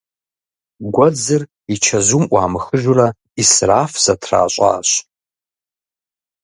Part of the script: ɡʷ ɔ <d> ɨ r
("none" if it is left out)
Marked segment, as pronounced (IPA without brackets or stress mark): d͡z